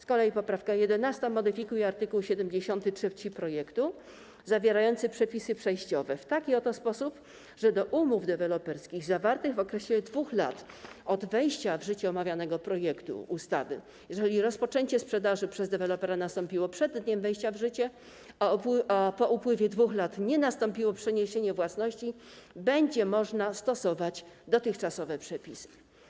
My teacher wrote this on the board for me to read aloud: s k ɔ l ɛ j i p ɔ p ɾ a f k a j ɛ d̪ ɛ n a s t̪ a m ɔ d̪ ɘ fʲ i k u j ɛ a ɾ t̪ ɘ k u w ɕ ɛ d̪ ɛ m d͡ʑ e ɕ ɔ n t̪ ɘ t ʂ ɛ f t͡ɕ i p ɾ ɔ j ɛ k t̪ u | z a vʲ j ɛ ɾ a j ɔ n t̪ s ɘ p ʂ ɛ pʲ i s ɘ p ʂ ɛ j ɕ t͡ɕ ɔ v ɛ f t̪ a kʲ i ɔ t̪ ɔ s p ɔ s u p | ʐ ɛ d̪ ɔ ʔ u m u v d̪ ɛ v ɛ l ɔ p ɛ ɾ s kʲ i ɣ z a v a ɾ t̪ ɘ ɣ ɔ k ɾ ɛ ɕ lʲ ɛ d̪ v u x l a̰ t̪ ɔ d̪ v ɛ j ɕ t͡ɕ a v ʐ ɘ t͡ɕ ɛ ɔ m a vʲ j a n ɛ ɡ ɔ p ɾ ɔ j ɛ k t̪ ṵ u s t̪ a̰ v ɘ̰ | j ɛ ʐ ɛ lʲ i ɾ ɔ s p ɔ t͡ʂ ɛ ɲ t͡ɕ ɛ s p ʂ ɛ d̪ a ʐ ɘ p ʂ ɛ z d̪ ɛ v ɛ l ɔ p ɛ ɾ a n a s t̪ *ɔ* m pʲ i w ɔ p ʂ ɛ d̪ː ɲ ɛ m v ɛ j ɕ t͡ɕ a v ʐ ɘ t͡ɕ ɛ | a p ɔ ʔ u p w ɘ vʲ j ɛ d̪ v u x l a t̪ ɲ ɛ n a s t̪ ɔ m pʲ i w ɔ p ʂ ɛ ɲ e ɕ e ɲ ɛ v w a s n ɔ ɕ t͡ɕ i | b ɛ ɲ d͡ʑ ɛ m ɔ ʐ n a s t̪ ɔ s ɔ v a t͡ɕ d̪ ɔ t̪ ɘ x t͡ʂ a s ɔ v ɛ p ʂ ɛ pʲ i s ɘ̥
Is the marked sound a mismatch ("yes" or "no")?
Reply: no